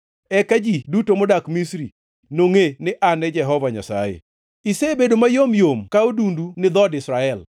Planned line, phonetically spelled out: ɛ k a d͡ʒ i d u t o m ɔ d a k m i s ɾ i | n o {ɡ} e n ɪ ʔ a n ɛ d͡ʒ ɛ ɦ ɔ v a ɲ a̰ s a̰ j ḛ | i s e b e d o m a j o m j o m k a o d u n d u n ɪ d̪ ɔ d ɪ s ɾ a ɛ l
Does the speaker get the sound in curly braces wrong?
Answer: yes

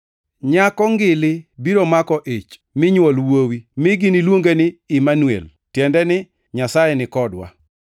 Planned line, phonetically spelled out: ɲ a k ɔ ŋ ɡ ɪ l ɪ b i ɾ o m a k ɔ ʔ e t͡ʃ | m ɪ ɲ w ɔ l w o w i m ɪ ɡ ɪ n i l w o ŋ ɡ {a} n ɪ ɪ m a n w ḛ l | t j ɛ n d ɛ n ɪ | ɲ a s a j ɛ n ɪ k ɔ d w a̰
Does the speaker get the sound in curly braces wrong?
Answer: yes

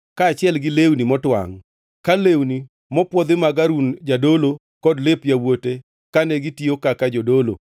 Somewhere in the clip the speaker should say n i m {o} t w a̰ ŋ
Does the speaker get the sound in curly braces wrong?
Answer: yes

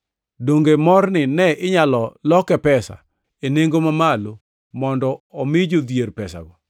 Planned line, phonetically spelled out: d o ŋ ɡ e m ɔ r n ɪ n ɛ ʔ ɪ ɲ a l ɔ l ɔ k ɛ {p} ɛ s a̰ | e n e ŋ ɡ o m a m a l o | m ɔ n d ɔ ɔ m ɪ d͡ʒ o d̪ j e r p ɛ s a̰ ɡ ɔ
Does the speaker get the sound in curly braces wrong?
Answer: no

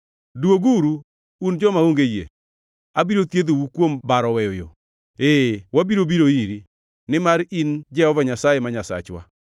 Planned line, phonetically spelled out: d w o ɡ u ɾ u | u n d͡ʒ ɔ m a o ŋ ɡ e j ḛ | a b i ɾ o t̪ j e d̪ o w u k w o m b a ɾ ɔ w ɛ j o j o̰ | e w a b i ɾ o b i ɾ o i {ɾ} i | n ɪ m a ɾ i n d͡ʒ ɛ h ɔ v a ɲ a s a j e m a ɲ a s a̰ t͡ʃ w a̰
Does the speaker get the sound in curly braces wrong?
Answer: no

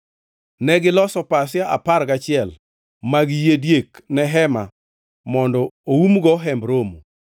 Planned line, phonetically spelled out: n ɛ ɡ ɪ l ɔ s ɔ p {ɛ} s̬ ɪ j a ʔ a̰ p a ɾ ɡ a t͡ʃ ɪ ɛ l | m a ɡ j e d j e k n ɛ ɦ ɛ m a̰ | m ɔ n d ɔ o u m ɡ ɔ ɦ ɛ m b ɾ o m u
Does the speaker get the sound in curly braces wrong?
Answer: yes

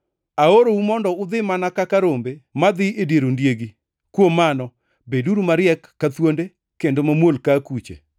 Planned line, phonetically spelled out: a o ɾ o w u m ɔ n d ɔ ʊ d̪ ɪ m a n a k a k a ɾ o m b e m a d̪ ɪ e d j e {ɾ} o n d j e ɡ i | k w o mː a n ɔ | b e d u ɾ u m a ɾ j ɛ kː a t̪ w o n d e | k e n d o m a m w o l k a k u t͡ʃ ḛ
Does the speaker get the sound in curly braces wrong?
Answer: no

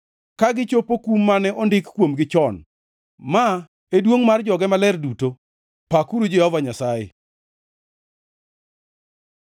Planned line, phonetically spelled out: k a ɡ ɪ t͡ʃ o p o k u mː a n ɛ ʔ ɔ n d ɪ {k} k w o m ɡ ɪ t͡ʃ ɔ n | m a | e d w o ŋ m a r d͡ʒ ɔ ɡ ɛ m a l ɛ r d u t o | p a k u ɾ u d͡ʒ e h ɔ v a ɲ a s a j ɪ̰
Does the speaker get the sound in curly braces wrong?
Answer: no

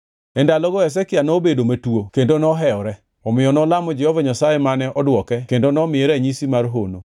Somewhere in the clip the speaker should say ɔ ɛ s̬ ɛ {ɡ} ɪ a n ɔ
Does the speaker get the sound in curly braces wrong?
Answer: yes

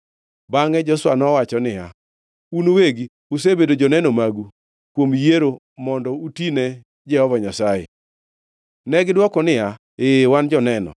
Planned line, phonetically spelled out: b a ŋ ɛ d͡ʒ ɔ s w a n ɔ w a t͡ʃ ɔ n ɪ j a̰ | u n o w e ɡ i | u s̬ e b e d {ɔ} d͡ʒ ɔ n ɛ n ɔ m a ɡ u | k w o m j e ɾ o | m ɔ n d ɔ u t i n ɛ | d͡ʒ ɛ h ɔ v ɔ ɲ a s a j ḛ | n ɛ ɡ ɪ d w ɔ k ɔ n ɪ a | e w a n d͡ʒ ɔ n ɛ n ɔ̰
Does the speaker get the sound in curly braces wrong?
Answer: yes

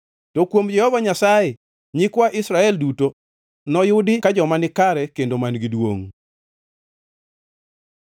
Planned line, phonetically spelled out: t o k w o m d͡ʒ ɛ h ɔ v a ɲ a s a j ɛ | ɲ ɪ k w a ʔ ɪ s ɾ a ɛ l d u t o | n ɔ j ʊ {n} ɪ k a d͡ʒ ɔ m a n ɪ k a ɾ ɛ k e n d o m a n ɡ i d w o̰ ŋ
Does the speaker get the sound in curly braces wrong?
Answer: yes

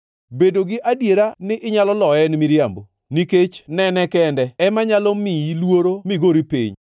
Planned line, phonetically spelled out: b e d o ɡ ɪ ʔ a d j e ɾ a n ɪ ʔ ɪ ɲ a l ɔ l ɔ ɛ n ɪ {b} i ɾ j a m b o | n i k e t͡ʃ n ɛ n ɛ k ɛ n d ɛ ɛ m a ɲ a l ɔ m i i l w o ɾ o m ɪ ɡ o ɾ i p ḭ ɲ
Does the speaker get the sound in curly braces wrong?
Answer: yes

